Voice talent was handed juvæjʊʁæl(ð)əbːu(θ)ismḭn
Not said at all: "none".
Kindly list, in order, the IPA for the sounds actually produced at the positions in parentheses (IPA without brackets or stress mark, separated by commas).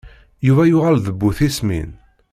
ð, θ